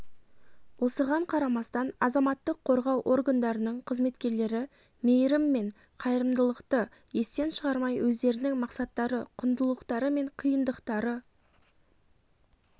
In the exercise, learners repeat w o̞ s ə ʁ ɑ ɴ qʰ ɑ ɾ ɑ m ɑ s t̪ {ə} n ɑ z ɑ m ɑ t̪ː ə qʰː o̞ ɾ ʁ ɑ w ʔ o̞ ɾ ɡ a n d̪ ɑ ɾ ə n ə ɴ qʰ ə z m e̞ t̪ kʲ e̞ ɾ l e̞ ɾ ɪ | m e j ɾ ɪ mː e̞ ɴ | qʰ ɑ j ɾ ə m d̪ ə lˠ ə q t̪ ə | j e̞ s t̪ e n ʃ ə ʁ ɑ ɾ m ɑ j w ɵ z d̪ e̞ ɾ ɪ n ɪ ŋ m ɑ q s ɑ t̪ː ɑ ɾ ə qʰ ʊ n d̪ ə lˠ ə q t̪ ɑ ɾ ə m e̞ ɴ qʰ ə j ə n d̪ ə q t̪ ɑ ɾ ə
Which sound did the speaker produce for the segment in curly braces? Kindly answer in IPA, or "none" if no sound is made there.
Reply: ɑ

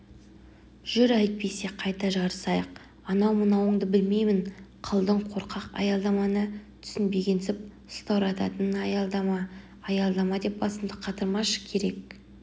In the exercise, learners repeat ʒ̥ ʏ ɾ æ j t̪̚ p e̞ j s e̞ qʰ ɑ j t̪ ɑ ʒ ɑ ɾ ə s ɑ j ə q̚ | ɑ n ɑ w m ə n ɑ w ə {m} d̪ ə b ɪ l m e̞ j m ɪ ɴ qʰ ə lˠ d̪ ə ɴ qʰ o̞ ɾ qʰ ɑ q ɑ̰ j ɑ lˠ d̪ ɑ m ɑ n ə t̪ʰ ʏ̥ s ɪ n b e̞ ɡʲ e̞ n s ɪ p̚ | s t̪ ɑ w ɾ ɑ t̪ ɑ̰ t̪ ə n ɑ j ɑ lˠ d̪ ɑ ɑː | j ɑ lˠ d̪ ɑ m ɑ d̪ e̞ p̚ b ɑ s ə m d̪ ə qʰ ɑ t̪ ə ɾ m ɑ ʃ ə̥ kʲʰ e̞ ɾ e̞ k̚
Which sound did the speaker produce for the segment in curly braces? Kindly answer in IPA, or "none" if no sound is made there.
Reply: ɴ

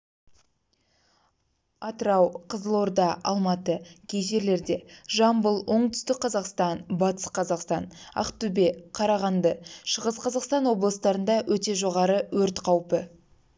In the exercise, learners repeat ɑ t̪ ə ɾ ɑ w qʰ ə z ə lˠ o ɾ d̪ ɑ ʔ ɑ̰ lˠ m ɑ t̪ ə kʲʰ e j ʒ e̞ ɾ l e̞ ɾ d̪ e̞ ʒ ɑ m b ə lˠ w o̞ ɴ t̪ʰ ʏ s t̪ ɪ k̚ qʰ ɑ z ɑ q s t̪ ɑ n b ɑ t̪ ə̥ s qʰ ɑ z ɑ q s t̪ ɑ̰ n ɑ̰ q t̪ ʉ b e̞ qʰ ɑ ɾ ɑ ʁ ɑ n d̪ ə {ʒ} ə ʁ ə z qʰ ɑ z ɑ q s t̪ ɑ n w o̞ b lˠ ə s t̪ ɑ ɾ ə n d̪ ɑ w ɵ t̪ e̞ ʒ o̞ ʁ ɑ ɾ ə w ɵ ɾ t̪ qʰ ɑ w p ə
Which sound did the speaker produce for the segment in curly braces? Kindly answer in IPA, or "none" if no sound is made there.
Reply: ʃ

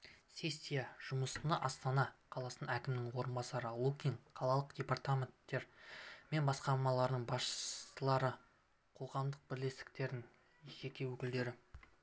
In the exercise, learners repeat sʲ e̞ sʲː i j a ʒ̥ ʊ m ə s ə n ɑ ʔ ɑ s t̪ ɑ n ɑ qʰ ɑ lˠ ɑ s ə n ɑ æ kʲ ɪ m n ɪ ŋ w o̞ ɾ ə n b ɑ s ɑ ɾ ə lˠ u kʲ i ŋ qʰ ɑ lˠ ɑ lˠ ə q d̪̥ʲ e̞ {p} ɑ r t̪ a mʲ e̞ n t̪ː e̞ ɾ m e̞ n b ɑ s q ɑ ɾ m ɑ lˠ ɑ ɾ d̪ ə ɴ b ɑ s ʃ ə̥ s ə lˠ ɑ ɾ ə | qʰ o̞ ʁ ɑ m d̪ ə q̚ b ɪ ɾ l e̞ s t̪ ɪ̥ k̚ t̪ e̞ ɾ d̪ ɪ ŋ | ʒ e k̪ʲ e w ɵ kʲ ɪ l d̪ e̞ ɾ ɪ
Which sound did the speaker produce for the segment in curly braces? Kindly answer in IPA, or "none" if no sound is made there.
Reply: p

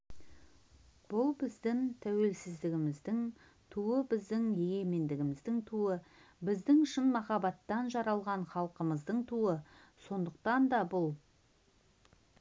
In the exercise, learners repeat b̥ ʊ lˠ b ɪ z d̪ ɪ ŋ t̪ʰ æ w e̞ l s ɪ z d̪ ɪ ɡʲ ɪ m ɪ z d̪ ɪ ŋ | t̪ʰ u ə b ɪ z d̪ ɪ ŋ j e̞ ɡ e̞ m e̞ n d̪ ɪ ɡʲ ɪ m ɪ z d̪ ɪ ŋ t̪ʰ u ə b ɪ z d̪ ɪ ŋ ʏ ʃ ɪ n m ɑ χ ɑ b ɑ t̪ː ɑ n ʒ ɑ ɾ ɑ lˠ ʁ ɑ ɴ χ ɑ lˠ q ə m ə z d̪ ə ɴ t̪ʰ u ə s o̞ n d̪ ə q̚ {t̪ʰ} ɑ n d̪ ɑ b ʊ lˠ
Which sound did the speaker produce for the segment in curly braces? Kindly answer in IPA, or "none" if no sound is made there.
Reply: t̪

